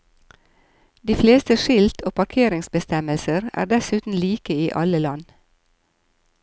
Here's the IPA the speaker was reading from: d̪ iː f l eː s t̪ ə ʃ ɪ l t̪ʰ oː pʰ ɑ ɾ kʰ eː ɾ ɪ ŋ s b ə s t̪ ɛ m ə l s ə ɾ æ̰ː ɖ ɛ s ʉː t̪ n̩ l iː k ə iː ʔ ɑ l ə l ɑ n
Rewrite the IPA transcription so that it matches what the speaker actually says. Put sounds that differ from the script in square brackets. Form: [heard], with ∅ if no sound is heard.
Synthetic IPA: d̪ iː f l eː s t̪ ə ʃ ɪ l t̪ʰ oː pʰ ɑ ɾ kʰ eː ɾ ɪ ŋ s b ə s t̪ ɛ m ə l s ə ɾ æ̰ː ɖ ɛ s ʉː t̪ n̩ l iː k ə iː ʔ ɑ l ə l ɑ n

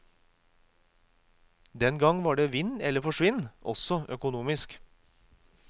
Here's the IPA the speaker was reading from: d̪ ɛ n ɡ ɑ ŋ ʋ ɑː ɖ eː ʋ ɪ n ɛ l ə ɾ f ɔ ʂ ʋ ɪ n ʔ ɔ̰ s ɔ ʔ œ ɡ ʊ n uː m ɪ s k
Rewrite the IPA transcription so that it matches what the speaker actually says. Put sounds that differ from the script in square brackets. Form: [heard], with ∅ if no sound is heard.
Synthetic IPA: d̪ ɛ n ɡ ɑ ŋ ʋ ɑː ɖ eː ʋ ɪ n ɛ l ə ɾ f ɔ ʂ ʋ ɪ n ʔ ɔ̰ s ɔ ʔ œ [k] ʊ n uː m ɪ s k

